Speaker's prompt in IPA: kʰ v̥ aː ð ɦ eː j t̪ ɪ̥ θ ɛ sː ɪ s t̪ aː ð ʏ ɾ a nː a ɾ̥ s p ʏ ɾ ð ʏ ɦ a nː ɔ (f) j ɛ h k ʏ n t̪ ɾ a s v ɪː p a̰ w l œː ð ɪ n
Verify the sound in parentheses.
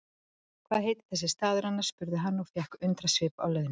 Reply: correct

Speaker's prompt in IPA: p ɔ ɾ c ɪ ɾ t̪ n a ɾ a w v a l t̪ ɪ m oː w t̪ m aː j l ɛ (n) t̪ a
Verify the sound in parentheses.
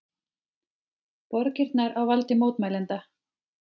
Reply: correct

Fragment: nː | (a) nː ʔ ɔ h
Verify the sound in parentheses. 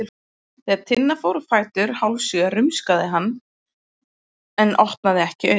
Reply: incorrect: ɛ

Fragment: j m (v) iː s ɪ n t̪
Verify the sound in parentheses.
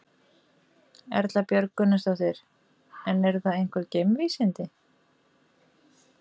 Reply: correct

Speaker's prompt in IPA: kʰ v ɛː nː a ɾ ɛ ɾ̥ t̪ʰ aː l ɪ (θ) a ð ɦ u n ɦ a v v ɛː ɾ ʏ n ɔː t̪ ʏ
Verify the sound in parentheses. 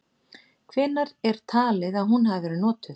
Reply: incorrect: ð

